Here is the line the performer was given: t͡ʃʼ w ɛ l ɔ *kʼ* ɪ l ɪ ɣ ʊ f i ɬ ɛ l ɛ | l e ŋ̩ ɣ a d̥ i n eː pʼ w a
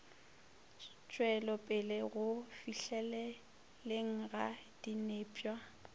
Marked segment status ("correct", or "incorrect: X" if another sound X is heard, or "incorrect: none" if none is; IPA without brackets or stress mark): incorrect: pʼ